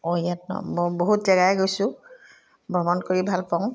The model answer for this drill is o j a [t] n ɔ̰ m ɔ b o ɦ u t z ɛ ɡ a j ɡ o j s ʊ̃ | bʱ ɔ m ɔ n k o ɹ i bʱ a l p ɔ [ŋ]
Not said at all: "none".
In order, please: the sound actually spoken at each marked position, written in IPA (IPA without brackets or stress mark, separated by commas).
t, ŋ